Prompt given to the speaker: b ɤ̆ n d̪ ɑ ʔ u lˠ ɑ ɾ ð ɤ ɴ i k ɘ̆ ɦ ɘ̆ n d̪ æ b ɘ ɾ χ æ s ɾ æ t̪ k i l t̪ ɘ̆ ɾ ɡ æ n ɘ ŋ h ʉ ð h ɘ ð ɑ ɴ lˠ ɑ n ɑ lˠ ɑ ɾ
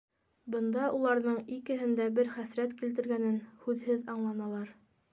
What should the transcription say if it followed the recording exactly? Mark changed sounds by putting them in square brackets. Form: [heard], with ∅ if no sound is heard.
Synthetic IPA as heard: b ɤ̆ n d̪ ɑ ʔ u lˠ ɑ ɾ ð ɤ ɴ i k ɘ̆ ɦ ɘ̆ n d̪ æ b ɘ ɾ χ æ s ɾ æ t̪ k i l t̪ ɘ̆ ɾ ɡ æ n ɘ [n] h ʉ ð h ɘ ð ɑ ɴ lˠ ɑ n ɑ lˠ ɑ ɾ